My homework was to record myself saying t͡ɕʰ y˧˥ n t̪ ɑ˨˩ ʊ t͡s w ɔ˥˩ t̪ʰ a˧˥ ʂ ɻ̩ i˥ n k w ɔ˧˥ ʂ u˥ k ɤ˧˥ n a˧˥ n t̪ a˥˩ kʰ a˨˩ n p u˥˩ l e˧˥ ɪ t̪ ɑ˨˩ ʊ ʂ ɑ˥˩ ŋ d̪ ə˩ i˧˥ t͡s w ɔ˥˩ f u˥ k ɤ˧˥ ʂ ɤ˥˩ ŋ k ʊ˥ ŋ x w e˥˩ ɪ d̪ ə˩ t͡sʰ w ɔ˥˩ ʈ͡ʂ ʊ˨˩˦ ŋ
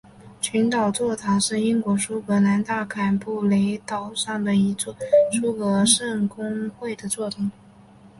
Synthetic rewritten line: t͡ɕʰ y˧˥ n t̪ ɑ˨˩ ʊ t͡s w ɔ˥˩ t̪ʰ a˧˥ ʂ ɻ̩ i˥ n k w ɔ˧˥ ʂ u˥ k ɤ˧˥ n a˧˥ n t̪ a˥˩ kʰ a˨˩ n p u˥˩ l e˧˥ ɪ t̪ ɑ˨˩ ʊ ʂ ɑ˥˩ ŋ d̪ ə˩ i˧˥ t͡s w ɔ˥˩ ʂ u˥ k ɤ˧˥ ʂ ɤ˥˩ ŋ k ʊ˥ ŋ x w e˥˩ ɪ d̪ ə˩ t͡s w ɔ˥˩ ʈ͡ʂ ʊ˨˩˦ ŋ